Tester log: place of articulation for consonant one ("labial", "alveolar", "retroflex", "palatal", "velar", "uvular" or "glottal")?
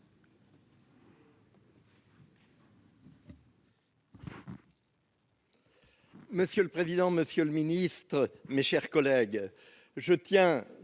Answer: labial